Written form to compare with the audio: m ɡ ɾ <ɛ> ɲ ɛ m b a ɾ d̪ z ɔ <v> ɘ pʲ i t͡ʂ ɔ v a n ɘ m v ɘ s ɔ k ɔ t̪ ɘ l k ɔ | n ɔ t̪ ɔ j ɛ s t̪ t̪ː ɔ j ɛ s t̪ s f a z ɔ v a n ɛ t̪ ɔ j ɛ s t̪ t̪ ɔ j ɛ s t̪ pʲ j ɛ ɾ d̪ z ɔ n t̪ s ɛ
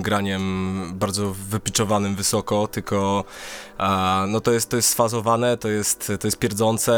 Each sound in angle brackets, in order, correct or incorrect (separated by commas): incorrect, correct